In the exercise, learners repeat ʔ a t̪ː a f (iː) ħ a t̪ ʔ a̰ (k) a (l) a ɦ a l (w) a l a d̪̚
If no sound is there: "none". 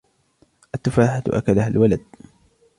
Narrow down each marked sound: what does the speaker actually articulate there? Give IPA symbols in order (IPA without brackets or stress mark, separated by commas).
aː, k, l, w